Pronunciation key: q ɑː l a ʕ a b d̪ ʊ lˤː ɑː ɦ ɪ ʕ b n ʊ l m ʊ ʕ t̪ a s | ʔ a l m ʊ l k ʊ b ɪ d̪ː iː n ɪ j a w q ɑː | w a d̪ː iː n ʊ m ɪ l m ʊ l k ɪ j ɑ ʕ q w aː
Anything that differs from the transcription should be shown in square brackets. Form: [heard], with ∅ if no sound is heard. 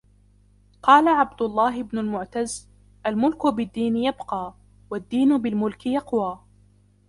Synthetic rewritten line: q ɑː l a ʕ a b d̪ ʊ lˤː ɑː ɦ ɪ [∅] b n ʊ l m ʊ ʕ t̪ a [z] | ʔ a l m ʊ l k ʊ b ɪ d̪ː iː n ɪ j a [b] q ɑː | w a d̪ː iː n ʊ [b] ɪ l m ʊ l k ɪ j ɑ [∅] q w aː